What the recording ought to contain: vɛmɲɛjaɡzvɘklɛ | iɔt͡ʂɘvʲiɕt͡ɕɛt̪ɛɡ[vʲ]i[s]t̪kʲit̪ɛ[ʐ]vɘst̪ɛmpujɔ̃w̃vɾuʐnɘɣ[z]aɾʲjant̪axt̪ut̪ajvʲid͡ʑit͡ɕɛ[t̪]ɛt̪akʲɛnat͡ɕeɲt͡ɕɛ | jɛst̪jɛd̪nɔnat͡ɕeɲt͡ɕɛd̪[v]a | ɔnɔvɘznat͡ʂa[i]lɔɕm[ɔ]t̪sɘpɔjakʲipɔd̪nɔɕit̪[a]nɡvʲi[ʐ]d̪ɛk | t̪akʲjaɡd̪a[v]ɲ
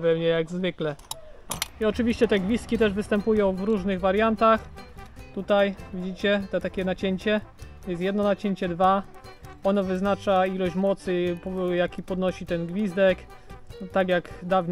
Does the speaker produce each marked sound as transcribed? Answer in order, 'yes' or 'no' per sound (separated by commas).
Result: yes, yes, yes, no, yes, yes, yes, yes, no, no, yes